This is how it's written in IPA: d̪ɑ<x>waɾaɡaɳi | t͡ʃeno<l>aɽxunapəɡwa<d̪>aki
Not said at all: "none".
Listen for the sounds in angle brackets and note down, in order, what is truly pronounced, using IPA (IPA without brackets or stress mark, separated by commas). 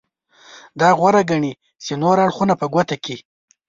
ɣ, ɾ, t̪